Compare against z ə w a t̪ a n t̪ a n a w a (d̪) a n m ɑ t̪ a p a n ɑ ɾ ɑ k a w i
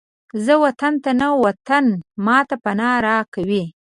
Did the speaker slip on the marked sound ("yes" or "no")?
yes